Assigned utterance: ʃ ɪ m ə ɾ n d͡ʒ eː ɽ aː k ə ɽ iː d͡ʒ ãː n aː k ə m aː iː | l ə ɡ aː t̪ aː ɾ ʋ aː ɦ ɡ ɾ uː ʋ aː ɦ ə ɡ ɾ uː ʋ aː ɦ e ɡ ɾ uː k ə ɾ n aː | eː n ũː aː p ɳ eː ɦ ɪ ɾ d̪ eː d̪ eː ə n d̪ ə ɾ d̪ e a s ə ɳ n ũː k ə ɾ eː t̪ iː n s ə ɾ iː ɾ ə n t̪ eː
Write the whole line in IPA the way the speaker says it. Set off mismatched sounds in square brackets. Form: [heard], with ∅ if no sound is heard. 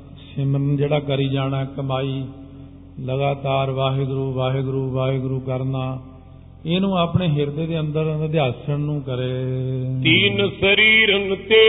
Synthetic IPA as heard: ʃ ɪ m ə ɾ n d͡ʒ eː ɽ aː k ə [ɾ] iː d͡ʒ [aː] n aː k ə m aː iː | l ə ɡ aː t̪ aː ɾ ʋ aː ɦ ɡ ɾ uː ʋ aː ɦ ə ɡ ɾ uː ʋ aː ɦ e ɡ ɾ uː k ə ɾ n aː | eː n ũː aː p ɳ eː ɦ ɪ ɾ d̪ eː d̪ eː ə n d̪ ə ɾ d̪ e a s ə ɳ n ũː k ə ɾ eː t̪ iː n s ə ɾ iː ɾ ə n t̪ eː